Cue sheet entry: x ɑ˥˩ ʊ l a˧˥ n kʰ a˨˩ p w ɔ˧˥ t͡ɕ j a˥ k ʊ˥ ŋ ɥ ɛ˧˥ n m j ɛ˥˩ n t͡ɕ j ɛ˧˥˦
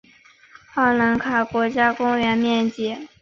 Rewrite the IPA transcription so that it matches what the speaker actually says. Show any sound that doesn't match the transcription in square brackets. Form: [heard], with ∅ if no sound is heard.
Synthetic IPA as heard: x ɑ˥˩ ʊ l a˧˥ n kʰ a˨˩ [k] w ɔ˧˥ t͡ɕ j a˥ k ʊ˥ ŋ ɥ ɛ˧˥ n m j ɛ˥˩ n t͡ɕ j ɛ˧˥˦